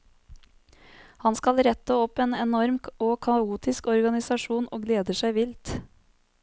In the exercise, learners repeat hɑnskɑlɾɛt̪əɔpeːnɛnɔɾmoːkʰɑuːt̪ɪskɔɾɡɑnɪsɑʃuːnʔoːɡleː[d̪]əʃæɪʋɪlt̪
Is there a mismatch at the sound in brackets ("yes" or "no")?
no